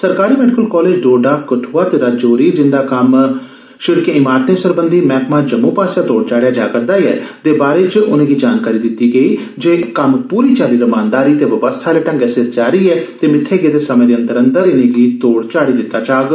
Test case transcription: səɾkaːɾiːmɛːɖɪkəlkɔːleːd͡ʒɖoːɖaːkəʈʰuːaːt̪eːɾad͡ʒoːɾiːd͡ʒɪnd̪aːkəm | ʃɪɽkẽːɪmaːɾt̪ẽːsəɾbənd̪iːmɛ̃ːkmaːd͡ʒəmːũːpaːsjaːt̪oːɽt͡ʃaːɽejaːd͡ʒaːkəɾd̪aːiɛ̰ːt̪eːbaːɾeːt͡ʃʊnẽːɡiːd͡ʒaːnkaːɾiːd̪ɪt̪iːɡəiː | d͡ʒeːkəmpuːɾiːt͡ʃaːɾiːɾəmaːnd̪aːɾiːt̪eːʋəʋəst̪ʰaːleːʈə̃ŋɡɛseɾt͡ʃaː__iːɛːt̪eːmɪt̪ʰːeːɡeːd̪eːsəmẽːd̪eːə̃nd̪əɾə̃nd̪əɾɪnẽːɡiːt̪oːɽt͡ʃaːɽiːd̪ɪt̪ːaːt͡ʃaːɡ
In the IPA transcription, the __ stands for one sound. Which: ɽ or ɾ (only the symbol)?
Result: ɾ